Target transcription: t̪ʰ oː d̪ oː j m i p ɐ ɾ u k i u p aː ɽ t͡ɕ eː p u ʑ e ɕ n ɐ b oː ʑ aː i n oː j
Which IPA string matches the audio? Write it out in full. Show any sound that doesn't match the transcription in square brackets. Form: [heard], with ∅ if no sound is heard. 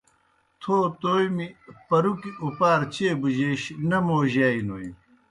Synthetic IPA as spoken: t̪ʰ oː [t̪] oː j m i p ɐ ɾ u k i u p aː [ɾ] t͡ɕ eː [b] u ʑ e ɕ n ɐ [m] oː ʑ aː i n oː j